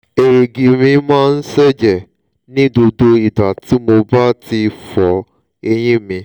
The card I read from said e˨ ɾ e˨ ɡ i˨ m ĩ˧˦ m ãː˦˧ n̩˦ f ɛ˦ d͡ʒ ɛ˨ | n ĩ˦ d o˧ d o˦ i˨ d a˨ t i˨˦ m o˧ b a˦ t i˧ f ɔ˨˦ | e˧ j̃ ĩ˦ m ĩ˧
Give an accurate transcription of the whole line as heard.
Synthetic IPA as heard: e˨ ɾ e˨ ɡ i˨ m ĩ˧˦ m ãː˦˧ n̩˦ s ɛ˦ d͡ʒ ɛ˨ | n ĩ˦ d o˧ d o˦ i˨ d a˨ t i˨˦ m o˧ b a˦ t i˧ f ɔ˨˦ | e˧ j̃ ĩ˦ m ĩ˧